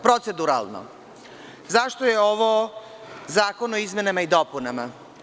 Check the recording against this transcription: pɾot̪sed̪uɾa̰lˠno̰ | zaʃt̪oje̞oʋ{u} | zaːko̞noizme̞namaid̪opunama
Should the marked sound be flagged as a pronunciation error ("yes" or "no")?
yes